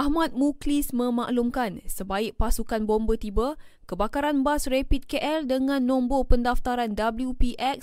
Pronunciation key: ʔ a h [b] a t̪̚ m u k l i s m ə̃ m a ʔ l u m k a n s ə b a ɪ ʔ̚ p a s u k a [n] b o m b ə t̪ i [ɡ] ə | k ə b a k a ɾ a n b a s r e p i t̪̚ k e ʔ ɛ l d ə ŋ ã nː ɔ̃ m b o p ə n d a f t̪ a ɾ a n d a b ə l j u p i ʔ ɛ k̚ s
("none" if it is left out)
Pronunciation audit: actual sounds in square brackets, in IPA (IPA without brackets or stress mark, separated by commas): m, n, b